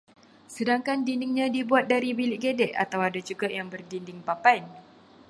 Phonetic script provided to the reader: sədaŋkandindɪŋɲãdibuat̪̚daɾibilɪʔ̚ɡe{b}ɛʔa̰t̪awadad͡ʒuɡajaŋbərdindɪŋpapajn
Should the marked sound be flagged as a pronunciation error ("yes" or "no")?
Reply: yes